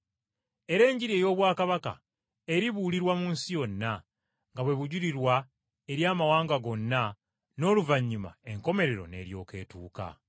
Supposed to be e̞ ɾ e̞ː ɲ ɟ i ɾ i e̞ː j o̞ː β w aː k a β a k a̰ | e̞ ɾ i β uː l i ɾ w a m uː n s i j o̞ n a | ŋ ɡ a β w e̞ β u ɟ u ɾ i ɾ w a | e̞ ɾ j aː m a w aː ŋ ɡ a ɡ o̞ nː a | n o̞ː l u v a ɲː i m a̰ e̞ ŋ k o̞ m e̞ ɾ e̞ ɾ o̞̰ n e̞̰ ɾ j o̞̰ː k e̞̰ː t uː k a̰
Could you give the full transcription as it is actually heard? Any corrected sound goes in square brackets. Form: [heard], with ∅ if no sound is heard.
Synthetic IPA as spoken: e̞ ɾ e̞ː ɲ ɟ i ɾ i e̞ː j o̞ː β w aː k a β a k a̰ | e̞ ɾ i β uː l i ɾ w a m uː n s i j o̞ [nː] a | ŋ ɡ a β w e̞ β u ɟ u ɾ i ɾ w a | e̞ ɾ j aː m a w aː ŋ ɡ a ɡ o̞ nː a | n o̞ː l u v a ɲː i m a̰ e̞ ŋ k o̞ m e̞ ɾ e̞ ɾ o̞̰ n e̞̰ ɾ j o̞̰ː k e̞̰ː t uː k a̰